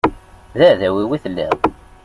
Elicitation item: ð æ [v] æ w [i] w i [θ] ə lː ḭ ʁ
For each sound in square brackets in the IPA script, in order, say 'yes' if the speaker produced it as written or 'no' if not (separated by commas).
no, yes, yes